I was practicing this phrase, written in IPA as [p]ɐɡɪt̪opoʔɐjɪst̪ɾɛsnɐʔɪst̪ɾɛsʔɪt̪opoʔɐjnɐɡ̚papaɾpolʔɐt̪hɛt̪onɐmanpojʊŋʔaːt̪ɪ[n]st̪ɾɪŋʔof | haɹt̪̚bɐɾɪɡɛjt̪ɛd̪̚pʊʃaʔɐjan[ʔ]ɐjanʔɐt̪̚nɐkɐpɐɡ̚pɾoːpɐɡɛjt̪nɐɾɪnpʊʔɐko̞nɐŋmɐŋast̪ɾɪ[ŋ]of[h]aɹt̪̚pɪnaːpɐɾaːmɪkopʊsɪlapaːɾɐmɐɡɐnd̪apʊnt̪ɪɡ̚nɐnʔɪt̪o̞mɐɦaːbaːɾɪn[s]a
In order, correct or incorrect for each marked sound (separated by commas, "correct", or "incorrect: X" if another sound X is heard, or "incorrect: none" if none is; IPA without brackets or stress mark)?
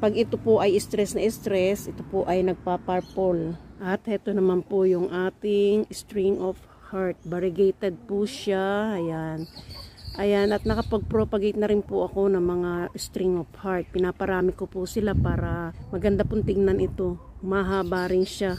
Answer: correct, incorrect: ŋ, correct, correct, correct, incorrect: ʃ